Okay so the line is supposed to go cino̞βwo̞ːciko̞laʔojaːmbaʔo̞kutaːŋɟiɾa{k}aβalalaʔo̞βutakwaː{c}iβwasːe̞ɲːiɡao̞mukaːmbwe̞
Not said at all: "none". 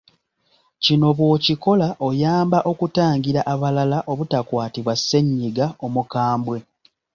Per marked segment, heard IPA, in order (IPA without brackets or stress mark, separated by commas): ʔ, t